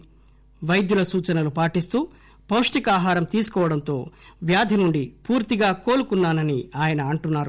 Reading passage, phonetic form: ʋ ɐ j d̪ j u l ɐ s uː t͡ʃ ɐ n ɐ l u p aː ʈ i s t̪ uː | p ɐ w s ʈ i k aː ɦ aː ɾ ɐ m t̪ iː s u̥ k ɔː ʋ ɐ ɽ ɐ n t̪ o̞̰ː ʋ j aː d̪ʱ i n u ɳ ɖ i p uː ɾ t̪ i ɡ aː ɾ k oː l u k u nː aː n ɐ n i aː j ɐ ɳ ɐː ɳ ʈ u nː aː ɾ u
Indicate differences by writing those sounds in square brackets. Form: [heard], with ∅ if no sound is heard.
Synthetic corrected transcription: ʋ ɐ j d̪ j u l ɐ s uː t͡ʃ ɐ n ɐ l u p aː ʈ i s t̪ uː | p ɐ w [ʂ] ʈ i k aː ɦ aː ɾ ɐ m t̪ iː s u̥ k ɔː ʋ ɐ ɽ ɐ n t̪ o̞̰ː ʋ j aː d̪ʱ i n u ɳ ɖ i p uː ɾ t̪ i ɡ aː [∅] k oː l u k u nː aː n ɐ n i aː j ɐ [n] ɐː ɳ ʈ u nː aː ɾ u